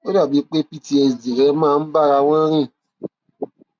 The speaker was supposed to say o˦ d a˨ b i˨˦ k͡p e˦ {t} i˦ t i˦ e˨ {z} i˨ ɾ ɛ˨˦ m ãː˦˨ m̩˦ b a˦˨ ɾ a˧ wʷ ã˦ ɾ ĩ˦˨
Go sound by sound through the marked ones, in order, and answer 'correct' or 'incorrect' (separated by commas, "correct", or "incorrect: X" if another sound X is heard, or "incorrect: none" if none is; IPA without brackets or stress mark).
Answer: incorrect: p, correct